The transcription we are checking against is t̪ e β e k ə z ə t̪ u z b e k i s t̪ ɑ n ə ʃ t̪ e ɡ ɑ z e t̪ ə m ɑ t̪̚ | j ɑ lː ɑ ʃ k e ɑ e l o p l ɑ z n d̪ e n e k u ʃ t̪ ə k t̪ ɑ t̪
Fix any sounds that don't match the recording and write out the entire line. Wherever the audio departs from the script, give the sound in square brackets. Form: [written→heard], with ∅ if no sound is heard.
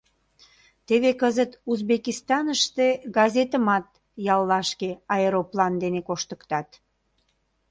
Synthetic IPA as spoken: t̪ e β e k ə z ə t̪ u z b e k i s t̪ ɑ n ə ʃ t̪ e ɡ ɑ z e t̪ ə m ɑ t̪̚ | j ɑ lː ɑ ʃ k e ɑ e [l→ɾ] o p l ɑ [z→∅] n d̪ e n e k [u→o] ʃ t̪ ə k t̪ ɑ t̪